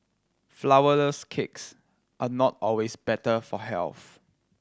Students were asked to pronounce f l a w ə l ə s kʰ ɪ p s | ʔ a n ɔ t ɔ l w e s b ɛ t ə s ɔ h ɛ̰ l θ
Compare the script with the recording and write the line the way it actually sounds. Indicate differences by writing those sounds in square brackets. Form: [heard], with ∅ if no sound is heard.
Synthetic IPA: f l a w ə l ə s kʰ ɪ [k] s | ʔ a n ɔ t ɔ l w e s b ɛ t ə [f] ɔ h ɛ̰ l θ